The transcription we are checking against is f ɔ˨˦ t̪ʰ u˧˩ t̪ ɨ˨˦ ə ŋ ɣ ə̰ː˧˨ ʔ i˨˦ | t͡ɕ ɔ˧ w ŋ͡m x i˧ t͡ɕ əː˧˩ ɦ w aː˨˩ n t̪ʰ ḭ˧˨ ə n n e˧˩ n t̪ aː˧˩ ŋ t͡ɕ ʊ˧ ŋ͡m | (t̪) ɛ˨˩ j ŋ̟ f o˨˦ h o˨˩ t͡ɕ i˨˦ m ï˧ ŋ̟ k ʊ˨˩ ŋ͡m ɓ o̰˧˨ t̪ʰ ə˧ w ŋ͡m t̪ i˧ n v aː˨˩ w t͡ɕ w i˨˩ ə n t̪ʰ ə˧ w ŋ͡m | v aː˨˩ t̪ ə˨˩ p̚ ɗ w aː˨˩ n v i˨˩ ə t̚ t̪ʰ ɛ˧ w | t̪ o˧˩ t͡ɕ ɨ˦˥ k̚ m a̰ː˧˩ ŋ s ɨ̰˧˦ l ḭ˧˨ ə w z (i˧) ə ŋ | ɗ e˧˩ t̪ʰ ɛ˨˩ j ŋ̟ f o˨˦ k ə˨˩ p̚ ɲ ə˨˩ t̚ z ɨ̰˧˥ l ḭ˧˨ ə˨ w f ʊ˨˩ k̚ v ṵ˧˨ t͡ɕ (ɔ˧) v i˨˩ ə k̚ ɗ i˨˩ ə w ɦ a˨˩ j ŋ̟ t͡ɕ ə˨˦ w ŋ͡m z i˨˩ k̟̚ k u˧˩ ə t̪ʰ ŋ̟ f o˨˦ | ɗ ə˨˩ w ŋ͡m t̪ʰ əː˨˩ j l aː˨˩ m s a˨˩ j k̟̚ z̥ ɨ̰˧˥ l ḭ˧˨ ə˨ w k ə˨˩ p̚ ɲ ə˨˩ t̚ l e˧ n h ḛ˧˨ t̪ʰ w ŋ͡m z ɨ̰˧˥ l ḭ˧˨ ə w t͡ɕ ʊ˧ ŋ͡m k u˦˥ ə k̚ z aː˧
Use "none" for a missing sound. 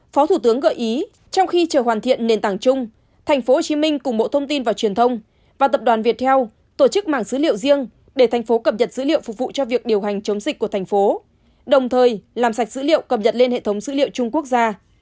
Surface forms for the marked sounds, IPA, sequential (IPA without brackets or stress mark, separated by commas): t̪ʰ, i˧, ɔ˧